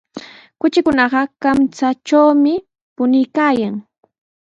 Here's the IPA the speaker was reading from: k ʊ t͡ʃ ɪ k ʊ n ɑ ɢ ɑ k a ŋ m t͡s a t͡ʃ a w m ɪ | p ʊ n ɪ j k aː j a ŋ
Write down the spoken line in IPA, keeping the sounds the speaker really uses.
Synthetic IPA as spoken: k ʊ t͡ʃ ɪ k ʊ n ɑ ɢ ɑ k a m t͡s a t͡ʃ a w m ɪ | p ʊ n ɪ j k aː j a ŋ